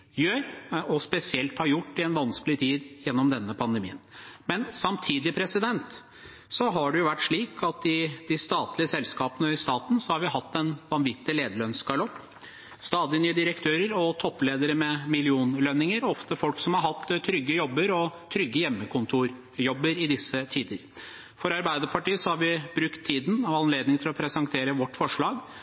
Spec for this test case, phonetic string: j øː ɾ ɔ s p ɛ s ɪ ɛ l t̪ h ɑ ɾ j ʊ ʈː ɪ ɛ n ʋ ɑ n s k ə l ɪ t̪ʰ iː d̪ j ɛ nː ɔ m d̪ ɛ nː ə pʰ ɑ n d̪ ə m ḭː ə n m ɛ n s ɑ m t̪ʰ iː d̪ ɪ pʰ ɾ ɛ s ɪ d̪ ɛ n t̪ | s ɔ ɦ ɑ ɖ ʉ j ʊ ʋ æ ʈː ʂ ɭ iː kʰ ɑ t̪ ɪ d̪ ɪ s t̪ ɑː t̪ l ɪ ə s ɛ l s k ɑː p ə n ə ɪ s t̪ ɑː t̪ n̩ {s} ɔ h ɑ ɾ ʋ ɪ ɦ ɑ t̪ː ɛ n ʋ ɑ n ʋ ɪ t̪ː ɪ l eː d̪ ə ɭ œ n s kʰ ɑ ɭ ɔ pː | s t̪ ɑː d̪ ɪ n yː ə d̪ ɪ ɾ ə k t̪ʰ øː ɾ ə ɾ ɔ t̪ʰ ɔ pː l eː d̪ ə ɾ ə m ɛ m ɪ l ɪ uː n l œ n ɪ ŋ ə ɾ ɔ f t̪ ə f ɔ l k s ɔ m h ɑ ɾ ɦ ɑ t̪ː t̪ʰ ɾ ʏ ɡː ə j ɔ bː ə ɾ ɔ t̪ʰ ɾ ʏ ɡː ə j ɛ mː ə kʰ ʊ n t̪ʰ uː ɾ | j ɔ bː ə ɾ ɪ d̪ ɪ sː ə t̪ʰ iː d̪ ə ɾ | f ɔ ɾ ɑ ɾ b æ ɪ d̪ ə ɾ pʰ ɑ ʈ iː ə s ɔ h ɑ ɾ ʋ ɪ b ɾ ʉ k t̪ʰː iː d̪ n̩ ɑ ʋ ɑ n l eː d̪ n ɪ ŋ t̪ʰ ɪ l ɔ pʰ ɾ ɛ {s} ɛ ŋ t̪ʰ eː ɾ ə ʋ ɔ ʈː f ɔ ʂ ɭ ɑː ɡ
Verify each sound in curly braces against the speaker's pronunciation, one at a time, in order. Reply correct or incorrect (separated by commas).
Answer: correct, correct